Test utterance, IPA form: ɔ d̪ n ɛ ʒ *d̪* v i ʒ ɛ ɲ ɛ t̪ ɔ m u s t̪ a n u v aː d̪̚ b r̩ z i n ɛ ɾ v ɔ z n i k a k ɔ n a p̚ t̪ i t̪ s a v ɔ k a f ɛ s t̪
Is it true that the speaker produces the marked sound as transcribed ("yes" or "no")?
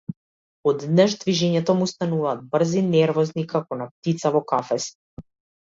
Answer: yes